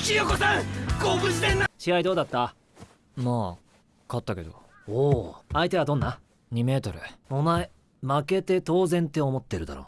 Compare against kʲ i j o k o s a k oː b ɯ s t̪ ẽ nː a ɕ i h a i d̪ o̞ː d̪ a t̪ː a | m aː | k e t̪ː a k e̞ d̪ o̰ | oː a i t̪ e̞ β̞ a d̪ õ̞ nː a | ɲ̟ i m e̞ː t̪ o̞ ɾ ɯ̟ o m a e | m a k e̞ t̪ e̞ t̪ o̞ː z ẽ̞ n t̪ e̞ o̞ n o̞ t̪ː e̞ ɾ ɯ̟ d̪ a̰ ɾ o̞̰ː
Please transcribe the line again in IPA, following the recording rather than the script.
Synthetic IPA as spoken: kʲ i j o k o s a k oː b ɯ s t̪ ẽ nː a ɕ i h a i d̪ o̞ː d̪ a t̪ː a | m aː | k a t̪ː a k e̞ d̪ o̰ | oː a i t̪ e̞ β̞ a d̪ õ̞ nː a | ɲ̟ i m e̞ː t̪ o̞ ɾ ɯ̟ o m a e | m a k e̞ t̪ e̞ t̪ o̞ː z ẽ̞ n t̪ e̞ o̞ m o̞ t̪ː e̞ ɾ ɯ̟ d̪ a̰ ɾ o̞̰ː